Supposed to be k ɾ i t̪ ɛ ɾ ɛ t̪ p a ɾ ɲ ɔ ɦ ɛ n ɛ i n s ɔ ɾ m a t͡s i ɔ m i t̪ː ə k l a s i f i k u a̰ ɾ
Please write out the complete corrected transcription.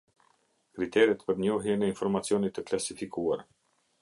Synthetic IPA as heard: k ɾ i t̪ ɛ ɾ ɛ t̪ p ə ɾ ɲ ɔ ɦ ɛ n ɛ i n f ɔ ɾ m a t͡s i ɔ n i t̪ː ə k l a s i f i k u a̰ ɾ